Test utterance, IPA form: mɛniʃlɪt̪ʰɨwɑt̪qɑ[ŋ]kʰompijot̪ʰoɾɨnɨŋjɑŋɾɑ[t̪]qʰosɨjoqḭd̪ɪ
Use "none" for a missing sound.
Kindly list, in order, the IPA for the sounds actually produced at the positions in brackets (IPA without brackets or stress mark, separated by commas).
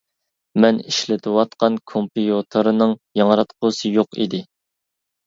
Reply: n, t̪